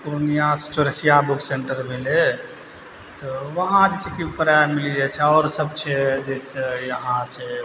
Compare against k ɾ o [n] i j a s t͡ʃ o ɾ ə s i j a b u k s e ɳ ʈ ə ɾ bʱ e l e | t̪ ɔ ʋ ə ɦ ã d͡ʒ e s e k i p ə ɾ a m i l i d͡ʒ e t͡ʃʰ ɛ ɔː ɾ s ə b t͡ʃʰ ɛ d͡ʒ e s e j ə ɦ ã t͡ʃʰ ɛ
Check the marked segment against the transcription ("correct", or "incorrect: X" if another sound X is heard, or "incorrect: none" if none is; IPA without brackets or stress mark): correct